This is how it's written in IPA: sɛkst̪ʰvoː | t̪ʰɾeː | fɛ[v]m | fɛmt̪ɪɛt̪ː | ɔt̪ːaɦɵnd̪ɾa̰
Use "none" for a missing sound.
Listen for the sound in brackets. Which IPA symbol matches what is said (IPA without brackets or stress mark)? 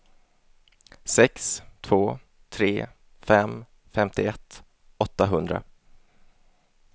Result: none